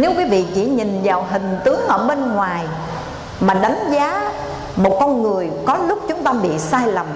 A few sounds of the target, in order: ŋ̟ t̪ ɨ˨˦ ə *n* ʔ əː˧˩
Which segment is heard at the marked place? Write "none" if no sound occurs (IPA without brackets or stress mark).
ŋ